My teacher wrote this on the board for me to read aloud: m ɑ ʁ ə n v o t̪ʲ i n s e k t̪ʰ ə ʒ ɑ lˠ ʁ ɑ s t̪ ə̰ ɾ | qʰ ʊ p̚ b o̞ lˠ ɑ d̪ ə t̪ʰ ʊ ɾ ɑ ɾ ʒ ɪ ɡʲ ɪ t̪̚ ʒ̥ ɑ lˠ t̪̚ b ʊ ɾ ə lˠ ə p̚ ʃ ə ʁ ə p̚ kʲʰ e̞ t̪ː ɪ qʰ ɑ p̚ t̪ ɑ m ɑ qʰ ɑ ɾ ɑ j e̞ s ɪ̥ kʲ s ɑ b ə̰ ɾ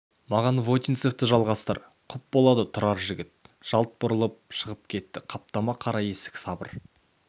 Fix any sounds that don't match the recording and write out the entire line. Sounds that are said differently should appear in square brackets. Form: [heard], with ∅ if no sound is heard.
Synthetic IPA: m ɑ ʁ [ɑ] n v o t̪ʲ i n s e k [t̪] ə ʒ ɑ lˠ ʁ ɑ s t̪ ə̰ ɾ | qʰ ʊ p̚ b o̞ lˠ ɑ d̪ ə t̪ʰ ʊ ɾ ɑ ɾ ʒ ɪ ɡʲ ɪ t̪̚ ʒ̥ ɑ lˠ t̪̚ b ʊ ɾ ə lˠ ə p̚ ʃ ə ʁ ə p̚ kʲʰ e̞ t̪ː ɪ qʰ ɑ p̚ t̪ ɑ m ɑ qʰ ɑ ɾ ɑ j e̞ s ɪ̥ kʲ s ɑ b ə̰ ɾ